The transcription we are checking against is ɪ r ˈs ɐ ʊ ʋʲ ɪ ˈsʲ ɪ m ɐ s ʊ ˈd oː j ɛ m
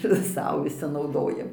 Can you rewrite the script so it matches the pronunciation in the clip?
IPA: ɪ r ˈs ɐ ʊ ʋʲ ɪ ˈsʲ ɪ n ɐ ʊ ˈd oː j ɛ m